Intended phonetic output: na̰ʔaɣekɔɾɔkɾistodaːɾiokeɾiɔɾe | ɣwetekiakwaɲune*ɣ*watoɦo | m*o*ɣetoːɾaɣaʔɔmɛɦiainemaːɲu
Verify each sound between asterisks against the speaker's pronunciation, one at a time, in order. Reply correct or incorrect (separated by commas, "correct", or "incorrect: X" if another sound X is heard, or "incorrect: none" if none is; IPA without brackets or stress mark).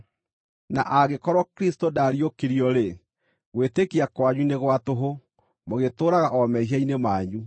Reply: correct, correct